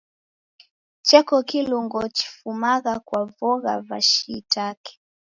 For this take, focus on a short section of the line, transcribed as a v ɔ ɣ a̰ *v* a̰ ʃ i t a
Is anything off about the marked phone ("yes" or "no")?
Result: no